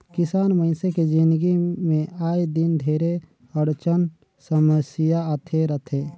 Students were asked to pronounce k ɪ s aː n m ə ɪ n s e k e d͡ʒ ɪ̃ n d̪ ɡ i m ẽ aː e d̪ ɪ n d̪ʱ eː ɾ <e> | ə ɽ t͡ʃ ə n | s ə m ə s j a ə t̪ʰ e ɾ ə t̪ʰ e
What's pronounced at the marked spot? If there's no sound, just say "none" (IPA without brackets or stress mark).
e